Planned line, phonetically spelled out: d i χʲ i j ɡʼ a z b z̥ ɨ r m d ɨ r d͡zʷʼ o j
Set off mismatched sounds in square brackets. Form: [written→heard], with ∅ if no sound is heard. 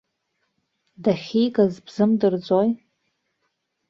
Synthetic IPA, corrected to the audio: d [i→a] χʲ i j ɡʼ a z b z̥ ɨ [r→∅] m d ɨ r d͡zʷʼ o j